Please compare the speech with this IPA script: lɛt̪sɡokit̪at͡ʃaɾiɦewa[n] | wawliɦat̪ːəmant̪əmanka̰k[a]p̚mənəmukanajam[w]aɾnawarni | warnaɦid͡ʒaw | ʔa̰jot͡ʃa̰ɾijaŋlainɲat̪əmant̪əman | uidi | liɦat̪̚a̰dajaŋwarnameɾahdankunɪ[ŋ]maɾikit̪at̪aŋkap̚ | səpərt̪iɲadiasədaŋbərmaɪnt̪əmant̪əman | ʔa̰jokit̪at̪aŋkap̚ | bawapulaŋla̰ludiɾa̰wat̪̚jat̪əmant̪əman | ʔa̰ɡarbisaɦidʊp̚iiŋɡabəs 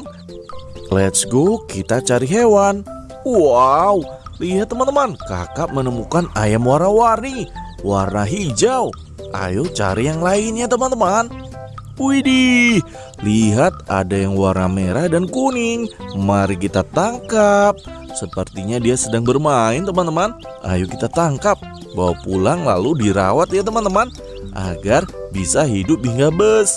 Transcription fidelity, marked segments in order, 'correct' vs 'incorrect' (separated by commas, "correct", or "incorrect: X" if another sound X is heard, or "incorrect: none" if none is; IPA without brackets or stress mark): correct, correct, correct, correct